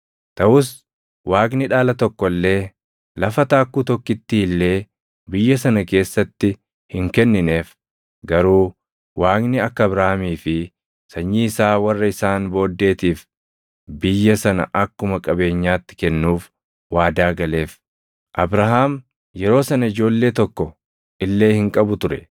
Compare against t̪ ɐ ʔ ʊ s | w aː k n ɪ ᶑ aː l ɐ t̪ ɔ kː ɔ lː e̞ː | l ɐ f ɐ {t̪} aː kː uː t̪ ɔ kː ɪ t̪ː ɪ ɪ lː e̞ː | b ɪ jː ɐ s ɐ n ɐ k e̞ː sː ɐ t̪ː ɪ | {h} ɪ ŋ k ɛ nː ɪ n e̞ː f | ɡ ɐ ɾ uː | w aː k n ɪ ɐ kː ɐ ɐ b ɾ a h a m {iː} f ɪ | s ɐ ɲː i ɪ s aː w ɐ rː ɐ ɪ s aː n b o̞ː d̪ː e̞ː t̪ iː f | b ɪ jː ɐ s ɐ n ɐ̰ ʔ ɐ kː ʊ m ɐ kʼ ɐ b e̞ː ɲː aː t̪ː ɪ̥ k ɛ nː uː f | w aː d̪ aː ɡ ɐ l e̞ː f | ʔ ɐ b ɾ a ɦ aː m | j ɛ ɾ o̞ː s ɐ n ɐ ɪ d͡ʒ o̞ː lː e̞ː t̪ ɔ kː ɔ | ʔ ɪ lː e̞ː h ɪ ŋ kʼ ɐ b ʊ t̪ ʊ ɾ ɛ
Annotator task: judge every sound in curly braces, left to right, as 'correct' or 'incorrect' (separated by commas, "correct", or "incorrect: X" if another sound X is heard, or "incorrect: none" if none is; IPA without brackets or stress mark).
correct, correct, correct